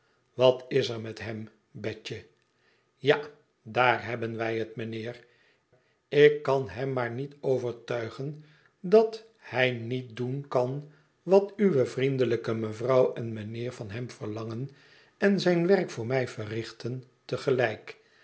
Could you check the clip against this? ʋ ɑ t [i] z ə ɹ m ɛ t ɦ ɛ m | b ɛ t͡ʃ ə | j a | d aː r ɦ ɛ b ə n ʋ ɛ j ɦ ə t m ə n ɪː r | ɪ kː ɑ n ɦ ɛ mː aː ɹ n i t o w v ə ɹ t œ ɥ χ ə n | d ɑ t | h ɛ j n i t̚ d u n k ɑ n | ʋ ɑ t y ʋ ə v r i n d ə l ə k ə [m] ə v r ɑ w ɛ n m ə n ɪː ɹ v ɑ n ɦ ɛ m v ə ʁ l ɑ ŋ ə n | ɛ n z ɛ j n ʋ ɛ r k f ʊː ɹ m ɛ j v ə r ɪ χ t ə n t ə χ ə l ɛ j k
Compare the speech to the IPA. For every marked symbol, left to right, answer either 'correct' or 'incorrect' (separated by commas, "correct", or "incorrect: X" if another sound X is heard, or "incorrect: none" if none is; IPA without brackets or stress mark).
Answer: incorrect: ɪ, correct